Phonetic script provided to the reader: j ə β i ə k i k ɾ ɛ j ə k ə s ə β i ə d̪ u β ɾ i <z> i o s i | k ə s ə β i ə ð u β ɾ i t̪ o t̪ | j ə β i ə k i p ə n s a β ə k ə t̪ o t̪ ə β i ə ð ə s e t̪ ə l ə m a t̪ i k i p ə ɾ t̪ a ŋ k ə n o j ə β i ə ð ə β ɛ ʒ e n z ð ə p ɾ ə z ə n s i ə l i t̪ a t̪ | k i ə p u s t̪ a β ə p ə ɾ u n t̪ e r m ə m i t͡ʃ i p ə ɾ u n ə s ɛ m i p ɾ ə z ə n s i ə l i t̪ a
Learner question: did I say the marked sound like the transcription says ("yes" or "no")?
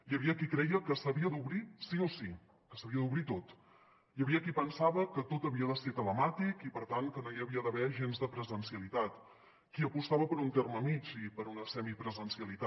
no